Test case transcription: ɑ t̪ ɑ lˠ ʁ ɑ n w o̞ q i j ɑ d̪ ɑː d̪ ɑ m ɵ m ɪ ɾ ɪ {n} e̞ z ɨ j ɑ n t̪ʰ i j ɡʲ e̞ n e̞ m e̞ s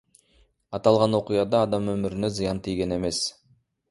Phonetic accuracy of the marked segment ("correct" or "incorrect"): correct